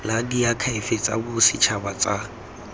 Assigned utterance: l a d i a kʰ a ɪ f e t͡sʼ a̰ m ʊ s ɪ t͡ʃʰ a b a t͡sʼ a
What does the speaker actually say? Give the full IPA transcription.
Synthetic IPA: l a d i a kʰ a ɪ f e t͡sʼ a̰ b ʊ s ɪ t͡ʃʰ a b a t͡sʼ a